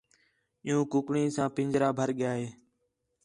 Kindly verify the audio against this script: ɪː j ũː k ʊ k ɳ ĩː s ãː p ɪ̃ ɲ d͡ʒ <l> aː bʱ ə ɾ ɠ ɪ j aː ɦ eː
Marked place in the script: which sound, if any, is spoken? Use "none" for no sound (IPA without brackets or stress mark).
ɾ